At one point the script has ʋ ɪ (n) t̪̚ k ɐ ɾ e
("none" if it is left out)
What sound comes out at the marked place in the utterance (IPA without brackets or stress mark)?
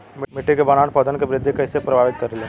none